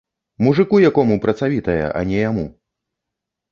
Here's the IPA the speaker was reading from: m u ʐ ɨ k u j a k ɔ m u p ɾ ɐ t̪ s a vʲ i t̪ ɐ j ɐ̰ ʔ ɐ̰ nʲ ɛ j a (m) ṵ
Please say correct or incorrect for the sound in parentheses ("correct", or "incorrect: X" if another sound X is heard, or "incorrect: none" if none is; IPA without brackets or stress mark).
correct